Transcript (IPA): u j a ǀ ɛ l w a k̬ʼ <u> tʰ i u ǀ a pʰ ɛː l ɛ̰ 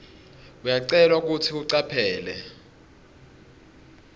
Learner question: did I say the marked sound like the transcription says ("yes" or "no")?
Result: yes